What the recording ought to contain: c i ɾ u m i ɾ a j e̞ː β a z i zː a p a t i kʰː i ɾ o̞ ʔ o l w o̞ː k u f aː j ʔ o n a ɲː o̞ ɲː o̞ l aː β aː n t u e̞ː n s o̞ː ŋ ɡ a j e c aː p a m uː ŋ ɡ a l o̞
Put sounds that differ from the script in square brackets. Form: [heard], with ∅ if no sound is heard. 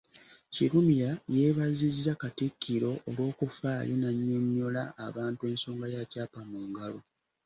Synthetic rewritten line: c i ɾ u m i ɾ a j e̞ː β a z i zː a [k] a t i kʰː i ɾ o̞ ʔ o l w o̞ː k u f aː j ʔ o n a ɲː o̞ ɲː o̞ l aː β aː n t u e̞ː n s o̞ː ŋ ɡ a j [a] c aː p a m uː ŋ ɡ a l o̞